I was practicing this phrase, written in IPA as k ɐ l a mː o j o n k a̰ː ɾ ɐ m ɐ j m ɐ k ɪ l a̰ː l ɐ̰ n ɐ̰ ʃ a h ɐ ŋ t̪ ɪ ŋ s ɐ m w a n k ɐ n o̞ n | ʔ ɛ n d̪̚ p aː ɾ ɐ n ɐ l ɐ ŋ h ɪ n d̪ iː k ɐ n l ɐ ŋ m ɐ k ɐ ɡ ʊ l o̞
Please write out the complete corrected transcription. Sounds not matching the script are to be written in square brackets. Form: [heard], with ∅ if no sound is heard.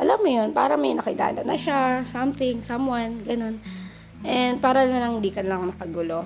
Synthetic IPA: [ʔ] ɐ l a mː o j o n [p] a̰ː ɾ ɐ m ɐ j [n] ɐ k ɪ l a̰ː l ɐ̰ n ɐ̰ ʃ a [s] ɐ [m] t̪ ɪ ŋ s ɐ m w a n [ɡ] ɐ n o̞ n | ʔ ɛ n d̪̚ p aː ɾ ɐ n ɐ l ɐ ŋ h ɪ n d̪ iː k ɐ n l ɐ ŋ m ɐ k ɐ ɡ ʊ l o̞